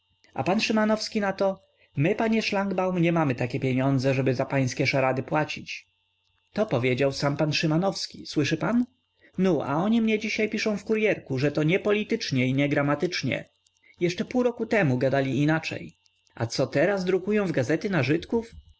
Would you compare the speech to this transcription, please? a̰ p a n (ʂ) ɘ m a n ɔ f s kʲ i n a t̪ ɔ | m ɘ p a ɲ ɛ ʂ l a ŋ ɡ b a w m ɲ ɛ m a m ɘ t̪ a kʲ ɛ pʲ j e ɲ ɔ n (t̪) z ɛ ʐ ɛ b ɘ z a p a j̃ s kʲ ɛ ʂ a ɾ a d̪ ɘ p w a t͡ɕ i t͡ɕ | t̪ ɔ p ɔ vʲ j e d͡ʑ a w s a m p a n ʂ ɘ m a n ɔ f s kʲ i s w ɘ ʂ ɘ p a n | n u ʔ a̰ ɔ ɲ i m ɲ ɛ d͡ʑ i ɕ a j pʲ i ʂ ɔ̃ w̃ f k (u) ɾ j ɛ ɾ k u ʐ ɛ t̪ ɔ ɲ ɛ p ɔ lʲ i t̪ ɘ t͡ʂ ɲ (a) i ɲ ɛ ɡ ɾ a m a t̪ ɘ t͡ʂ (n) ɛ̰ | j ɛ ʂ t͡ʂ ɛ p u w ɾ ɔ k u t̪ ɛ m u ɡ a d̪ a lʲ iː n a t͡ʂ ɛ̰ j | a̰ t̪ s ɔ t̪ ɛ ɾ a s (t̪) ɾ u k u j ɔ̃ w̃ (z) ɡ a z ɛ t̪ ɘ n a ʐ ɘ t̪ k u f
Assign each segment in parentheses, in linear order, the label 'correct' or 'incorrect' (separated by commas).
correct, incorrect, correct, incorrect, incorrect, incorrect, incorrect